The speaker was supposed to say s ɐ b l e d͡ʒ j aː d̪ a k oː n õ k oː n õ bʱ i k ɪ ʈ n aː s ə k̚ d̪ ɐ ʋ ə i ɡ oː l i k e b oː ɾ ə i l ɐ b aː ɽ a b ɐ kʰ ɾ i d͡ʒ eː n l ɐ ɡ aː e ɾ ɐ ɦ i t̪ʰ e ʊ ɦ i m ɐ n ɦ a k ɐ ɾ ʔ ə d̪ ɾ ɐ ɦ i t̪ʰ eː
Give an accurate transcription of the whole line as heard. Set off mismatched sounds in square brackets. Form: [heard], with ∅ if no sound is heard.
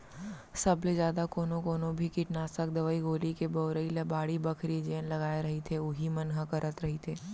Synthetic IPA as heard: s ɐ b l e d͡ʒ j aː d̪ a k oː n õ k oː n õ bʱ i k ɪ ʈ n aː s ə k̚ d̪ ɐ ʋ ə i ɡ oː l i k e b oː ɾ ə i l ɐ b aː ɽ [i] b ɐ kʰ ɾ i d͡ʒ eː n l ɐ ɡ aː e ɾ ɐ ɦ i t̪ʰ e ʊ ɦ i m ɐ n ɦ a k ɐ ɾ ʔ ə [t̪] ɾ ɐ ɦ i t̪ʰ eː